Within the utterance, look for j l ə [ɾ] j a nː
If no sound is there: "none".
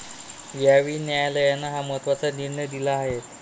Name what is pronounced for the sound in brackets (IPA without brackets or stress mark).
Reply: none